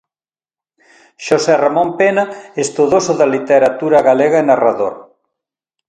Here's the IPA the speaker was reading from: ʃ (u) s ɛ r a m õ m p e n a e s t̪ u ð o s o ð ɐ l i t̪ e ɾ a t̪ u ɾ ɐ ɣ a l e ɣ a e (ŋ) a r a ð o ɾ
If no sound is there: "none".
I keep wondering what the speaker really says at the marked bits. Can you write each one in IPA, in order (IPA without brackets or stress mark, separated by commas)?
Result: o, n